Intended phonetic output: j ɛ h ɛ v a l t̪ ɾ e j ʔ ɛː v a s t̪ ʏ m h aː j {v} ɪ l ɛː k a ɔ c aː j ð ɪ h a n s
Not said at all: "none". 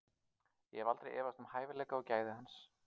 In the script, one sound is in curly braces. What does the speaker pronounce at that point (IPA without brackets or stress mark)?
v